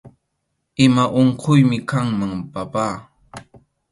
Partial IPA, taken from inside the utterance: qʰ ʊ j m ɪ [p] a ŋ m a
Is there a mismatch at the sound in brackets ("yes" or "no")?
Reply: yes